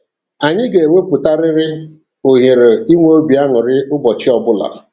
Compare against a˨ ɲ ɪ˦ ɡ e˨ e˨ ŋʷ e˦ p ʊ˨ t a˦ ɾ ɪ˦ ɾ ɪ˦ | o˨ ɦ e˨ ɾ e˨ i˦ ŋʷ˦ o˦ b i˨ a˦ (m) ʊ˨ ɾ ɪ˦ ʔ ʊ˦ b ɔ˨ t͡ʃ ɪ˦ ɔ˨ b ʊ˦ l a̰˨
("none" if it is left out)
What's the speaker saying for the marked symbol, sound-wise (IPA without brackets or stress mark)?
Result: ŋ